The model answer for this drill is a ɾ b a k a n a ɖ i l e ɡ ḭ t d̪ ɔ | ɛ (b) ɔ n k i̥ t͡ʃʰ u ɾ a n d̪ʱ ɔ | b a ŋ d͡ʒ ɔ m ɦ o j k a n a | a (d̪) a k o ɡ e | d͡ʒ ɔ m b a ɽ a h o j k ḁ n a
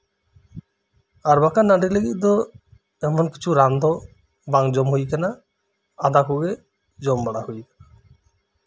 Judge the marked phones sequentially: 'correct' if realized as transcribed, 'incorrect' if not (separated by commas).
incorrect, correct